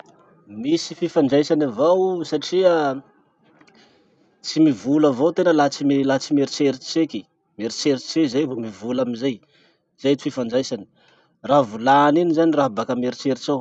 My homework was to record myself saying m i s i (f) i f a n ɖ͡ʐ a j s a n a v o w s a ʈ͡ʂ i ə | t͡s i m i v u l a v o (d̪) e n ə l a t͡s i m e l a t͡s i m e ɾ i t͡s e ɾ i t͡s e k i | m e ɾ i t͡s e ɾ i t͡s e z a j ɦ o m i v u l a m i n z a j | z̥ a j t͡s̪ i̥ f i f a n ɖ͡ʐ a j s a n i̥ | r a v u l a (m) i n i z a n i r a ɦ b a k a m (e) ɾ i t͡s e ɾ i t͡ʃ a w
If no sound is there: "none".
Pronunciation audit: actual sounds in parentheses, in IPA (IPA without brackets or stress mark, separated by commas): f, t̪, n, e